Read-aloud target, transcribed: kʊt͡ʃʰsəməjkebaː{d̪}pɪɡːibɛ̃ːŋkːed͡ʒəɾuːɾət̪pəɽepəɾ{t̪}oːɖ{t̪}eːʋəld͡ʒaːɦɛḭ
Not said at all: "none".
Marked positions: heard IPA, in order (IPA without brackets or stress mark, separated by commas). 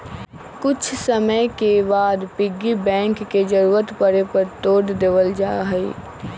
d̪, t̪, d̪